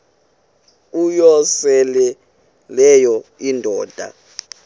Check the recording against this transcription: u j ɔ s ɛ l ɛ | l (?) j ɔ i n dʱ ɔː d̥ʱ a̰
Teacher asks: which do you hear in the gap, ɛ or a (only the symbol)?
ɛ